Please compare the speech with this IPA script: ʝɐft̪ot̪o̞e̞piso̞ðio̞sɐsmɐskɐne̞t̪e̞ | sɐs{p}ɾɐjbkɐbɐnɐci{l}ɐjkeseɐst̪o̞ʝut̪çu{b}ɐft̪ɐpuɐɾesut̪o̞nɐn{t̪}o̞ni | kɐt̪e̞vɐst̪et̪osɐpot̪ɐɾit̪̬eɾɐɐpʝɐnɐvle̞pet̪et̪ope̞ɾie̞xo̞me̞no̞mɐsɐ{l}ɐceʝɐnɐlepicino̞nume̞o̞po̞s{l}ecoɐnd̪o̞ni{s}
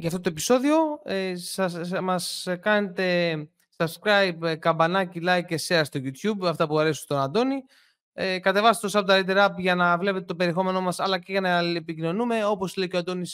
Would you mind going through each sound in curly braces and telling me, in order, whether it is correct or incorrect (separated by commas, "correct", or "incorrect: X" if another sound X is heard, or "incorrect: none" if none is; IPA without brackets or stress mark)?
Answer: incorrect: k, correct, correct, incorrect: d̪, correct, correct, correct